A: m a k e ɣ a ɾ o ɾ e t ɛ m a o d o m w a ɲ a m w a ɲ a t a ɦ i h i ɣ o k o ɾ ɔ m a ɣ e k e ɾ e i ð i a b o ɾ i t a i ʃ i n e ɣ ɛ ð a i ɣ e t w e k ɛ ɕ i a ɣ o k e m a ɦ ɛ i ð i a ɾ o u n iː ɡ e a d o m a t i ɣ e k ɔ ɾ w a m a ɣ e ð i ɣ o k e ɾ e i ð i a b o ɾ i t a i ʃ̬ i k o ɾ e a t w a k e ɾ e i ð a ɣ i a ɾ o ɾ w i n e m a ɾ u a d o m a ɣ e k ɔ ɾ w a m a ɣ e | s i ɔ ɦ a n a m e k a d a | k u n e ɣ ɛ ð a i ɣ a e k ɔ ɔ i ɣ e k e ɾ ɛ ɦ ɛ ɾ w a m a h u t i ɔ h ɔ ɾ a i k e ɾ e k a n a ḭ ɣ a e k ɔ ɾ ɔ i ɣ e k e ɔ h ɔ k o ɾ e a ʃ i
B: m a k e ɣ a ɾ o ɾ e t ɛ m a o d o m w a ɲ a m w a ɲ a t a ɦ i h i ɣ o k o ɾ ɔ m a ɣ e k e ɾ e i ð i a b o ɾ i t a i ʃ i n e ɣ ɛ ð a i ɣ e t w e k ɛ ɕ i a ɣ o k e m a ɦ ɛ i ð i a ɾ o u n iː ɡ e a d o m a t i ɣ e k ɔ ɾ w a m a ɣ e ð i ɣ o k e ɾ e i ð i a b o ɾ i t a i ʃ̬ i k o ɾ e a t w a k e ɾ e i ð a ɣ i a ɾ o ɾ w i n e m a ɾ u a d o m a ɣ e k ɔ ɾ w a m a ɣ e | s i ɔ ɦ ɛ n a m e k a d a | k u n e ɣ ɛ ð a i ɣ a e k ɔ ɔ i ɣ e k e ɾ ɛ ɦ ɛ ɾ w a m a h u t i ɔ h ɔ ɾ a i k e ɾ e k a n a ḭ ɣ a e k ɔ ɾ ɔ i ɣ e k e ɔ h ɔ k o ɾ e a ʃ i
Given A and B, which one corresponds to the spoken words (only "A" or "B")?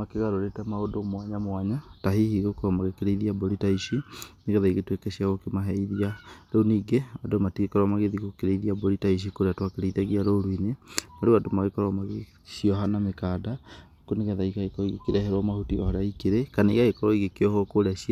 A